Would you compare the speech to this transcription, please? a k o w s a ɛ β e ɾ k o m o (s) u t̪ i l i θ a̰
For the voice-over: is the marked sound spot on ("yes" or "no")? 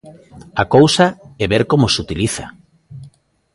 yes